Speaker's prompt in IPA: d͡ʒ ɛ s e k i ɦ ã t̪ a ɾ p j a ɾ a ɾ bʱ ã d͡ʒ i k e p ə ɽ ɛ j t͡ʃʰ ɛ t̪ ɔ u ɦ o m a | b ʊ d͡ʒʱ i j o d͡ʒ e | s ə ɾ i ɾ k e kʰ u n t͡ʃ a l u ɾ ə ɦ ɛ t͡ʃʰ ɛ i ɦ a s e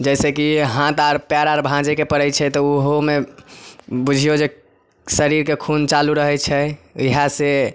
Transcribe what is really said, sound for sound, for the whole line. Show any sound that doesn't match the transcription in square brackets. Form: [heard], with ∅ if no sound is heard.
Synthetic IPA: d͡ʒ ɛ s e k i ɦ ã t̪ a ɾ p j a ɾ a ɾ bʱ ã d͡ʒ [e] k e p ə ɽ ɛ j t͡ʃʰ ɛ t̪ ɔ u ɦ o m [e] | b [u] d͡ʒʱ i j o d͡ʒ e | s ə ɾ i ɾ k e kʰ u n t͡ʃ a l u ɾ ə ɦ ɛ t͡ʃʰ ɛ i ɦ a s e